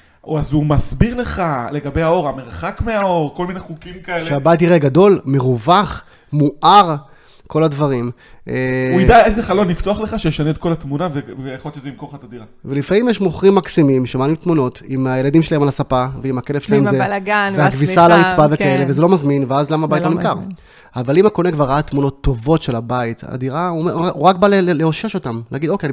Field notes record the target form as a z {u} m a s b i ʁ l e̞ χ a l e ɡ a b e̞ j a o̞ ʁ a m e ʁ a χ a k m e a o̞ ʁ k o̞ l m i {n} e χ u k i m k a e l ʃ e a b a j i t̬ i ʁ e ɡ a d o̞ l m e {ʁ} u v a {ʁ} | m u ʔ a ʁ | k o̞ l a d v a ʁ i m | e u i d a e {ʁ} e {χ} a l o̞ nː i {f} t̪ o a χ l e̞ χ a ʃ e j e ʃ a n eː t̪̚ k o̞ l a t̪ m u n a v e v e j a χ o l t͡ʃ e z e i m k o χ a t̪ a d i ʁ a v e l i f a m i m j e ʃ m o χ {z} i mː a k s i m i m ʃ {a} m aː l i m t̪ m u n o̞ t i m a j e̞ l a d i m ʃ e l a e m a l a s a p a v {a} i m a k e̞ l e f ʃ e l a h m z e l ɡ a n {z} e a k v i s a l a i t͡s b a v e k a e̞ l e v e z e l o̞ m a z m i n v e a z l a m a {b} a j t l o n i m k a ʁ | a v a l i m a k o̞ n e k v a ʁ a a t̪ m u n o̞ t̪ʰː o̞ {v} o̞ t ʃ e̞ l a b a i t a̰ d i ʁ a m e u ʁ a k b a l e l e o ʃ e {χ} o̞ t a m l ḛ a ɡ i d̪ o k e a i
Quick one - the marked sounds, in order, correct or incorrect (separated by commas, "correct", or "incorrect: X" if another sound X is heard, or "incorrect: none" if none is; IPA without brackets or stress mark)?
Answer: correct, correct, correct, incorrect: χ, incorrect: z, correct, correct, incorrect: ʁ, incorrect: e, incorrect: e, incorrect: v, correct, correct, incorrect: ʃ